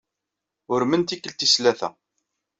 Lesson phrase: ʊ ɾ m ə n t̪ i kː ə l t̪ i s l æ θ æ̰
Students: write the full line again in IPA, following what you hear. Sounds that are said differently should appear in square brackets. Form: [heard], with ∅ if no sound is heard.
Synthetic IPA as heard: ʊ ɾ m ə n t̪ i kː ə l t̪ i s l æ θ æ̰